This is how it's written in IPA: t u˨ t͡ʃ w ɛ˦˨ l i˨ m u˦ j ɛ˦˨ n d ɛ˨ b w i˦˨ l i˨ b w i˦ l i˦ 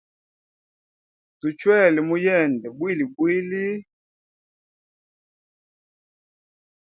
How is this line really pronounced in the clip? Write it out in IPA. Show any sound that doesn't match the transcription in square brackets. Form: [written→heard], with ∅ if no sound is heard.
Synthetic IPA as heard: t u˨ t͡ʃ w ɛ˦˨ l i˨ m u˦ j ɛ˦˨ n d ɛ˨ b w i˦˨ l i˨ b w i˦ l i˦

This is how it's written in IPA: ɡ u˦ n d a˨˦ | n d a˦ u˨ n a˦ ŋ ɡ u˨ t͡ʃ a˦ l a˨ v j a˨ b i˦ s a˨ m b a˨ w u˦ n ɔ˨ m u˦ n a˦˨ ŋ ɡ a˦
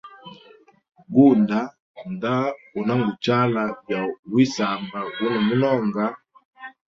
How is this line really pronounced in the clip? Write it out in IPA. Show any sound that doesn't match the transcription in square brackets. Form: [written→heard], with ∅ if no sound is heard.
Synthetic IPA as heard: ɡ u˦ n d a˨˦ | n d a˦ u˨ n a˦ ŋ ɡ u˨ t͡ʃ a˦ l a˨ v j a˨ [b→w] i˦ s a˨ m b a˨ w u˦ n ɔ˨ m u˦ n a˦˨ ŋ ɡ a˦

